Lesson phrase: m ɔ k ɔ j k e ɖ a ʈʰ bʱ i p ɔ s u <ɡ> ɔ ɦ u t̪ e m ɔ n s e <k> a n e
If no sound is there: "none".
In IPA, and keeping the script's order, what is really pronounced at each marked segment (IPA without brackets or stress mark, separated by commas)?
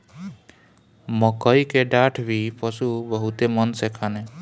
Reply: b, kʰ